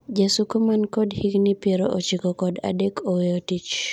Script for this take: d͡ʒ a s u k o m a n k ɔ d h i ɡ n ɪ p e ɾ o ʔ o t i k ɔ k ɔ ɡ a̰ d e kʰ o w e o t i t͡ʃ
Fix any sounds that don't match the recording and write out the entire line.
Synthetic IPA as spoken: d͡ʒ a s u k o m a n k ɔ d h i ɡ n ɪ p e ɾ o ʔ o t͡ʃ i k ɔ k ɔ d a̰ d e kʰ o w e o t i t͡ʃ